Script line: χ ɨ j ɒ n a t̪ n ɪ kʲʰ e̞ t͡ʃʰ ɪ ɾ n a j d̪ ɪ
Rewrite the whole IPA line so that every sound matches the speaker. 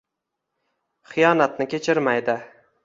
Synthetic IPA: χ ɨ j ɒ n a t̪ n ɪ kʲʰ e̞ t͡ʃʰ ɪ ɾ m a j d̪ ɪ